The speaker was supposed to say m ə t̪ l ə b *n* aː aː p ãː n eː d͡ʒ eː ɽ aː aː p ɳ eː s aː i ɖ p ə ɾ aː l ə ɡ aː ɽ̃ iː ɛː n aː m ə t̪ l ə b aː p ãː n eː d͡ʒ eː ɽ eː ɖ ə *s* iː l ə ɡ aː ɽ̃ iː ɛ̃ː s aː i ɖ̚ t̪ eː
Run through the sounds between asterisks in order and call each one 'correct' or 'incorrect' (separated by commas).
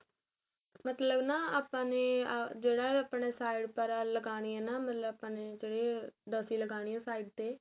correct, correct